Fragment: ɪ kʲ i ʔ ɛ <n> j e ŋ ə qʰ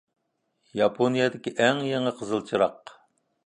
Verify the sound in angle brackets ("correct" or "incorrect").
incorrect